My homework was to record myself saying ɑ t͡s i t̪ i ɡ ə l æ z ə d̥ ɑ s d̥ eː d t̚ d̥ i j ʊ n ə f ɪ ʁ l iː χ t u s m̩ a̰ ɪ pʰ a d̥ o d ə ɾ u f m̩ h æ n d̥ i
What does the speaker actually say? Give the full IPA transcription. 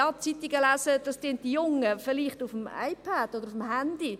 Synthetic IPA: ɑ t͡s i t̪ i ɡ ə l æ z ə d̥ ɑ s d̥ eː n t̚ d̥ i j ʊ ŋ ə f ɪ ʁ l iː χ t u f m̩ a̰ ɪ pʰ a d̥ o d ə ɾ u f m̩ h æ n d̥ i

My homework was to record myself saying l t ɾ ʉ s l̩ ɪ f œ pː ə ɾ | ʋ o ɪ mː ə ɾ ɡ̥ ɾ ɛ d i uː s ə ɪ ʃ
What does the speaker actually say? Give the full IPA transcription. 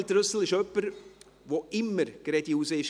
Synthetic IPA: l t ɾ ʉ s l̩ ɪ ʃ œ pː ə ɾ | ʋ o ɪ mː ə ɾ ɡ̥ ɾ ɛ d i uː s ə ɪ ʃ

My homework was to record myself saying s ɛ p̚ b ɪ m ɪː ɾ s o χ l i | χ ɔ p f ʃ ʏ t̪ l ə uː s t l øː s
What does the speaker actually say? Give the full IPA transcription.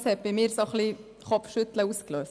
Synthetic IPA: s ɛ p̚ b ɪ m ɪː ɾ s o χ l i | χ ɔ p f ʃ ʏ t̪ l ə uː s k l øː s

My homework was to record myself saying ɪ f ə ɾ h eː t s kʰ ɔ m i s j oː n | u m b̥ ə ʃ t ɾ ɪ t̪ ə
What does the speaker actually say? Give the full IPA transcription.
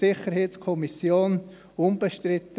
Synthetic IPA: ɪ χ ə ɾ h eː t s kʰ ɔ m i s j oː n | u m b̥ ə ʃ t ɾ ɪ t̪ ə

